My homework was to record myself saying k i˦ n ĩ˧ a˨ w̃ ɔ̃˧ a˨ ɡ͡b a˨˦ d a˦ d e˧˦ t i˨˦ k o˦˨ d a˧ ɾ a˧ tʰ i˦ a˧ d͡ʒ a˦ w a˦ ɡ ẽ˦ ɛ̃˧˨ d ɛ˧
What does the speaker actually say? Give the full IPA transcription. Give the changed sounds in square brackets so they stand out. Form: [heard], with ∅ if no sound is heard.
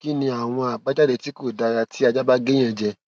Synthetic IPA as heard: k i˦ n ĩ˧ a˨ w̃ ɔ̃˧ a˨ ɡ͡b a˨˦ [d͡ʒ] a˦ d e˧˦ t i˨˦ k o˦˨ d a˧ ɾ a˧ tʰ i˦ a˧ d͡ʒ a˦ [b] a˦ ɡ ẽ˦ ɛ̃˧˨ [d͡ʒ] ɛ˧